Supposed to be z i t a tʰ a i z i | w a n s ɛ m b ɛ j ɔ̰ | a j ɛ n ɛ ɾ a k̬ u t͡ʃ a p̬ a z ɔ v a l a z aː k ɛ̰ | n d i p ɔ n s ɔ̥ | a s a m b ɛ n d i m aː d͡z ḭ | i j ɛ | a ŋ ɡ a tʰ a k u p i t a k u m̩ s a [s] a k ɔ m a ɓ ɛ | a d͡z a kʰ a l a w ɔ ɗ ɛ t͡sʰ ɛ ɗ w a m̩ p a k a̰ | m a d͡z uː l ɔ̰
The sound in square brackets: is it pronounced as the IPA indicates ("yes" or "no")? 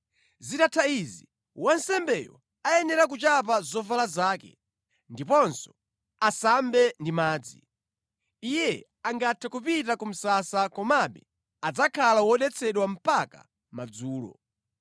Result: yes